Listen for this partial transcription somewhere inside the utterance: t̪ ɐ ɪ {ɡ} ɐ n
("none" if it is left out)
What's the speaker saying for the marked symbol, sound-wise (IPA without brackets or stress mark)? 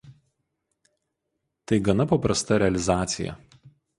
ɡ